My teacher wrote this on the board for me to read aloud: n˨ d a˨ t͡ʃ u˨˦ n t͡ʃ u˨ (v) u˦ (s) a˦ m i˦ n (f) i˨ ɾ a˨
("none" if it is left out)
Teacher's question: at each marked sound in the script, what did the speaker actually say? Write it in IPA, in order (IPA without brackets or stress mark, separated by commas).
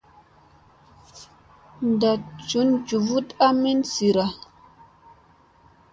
v, t, s